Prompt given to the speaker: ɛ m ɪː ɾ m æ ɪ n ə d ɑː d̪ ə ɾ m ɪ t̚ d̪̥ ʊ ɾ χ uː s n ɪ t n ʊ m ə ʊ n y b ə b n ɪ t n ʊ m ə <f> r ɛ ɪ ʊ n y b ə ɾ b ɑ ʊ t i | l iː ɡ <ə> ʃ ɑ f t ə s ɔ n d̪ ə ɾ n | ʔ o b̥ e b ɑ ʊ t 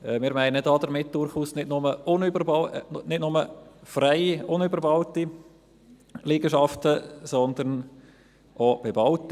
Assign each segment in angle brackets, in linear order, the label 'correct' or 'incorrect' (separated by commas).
correct, correct